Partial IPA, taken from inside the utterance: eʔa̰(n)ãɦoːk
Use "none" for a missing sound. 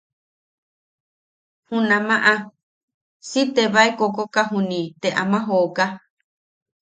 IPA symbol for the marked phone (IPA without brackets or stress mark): m